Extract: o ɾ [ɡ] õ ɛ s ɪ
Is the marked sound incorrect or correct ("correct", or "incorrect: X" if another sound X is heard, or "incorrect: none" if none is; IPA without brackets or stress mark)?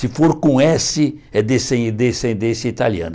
incorrect: k